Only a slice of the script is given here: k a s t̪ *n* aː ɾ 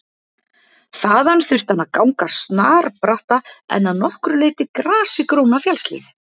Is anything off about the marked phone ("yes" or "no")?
no